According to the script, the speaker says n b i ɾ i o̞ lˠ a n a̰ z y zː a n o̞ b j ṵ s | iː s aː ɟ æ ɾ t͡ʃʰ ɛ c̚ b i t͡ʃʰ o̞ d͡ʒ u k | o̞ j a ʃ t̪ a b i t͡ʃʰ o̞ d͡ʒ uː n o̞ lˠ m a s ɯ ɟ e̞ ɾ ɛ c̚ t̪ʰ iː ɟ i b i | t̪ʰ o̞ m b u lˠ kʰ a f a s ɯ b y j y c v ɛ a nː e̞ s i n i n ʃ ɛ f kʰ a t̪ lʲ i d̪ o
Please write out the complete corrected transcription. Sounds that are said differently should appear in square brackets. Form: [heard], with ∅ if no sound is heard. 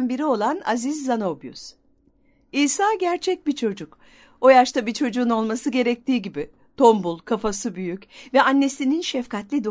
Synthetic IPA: n b i ɾ i o̞ lˠ a n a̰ z [i] zː a n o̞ b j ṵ s | iː s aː ɟ æ ɾ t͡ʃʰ ɛ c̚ b i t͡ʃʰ o̞ d͡ʒ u k | o̞ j a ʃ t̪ a b i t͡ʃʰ o̞ d͡ʒ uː n o̞ lˠ m a s ɯ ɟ e̞ ɾ ɛ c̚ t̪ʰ iː ɟ i b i | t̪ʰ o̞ m b u lˠ kʰ a f a s ɯ b y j y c v ɛ a nː e̞ s i n i n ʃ ɛ f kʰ a t̪ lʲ i d̪ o